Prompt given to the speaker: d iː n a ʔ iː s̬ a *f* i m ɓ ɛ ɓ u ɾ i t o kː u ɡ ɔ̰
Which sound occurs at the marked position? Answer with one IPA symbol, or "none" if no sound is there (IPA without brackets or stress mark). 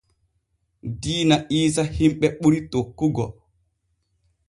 h